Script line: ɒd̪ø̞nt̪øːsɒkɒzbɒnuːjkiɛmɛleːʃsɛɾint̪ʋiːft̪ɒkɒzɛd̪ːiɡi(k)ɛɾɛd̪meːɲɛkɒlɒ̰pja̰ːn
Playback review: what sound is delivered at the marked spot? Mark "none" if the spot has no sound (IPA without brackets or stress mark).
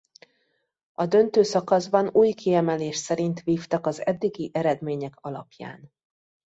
ʔ